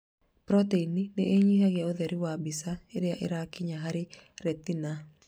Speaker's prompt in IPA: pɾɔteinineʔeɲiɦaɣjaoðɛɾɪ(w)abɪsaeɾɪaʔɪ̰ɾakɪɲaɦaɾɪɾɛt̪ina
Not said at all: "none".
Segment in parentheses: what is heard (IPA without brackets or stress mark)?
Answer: w